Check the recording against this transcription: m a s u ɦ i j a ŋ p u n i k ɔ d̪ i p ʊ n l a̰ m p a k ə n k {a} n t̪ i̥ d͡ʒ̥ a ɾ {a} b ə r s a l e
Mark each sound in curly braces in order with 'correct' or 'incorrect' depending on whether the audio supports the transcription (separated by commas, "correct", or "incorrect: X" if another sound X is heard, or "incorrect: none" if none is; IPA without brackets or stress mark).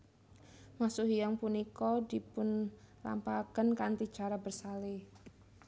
correct, correct